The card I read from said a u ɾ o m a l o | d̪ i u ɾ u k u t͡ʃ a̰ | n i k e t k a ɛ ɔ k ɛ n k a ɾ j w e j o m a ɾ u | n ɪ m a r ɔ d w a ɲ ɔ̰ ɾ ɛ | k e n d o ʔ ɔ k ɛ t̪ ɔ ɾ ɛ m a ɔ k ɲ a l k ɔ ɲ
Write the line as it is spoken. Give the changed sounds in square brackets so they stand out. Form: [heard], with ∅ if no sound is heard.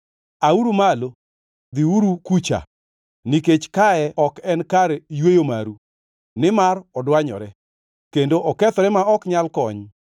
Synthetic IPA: a u ɾ [u] m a l o | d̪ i u ɾ u k u t͡ʃ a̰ | n i k e [t͡ʃ] k a ɛ ɔ k ɛ n k a ɾ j w e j o m a ɾ u | n ɪ m a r ɔ d w a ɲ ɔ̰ ɾ ɛ | k e n d o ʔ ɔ k ɛ t̪ ɔ ɾ ɛ m a ɔ k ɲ a l k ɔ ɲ